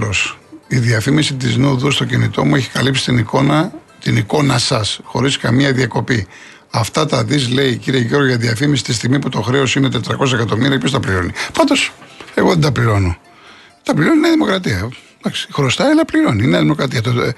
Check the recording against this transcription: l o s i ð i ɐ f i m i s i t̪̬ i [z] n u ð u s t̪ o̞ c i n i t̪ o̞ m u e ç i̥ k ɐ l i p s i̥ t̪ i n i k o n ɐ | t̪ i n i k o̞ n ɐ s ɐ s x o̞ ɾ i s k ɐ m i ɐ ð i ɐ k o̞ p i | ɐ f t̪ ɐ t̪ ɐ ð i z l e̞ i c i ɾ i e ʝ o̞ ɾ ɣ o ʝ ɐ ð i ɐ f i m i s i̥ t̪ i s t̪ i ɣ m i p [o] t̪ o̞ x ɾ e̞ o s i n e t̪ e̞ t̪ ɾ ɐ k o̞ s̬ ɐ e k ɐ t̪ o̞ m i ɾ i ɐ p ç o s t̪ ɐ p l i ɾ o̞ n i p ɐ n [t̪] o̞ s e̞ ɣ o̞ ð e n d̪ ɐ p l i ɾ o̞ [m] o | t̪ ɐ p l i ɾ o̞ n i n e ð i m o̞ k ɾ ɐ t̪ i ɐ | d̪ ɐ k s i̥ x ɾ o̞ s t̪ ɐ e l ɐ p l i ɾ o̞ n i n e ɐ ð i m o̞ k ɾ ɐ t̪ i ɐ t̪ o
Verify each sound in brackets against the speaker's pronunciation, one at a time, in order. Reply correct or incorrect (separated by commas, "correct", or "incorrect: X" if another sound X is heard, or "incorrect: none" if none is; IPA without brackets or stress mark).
correct, incorrect: u, incorrect: d̪, incorrect: n